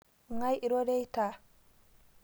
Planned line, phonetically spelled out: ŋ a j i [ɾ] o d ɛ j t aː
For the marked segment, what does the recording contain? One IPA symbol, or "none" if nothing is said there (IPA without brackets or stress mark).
ɾ